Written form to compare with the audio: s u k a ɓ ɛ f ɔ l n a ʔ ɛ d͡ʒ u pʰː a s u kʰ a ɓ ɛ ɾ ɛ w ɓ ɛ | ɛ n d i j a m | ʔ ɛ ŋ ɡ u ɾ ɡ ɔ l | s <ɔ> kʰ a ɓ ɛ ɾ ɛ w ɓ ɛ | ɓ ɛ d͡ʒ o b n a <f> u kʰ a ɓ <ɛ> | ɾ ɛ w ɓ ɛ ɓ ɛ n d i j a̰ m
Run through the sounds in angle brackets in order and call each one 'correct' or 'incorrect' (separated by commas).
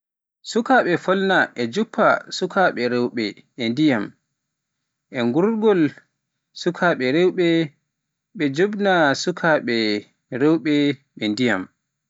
incorrect, incorrect, correct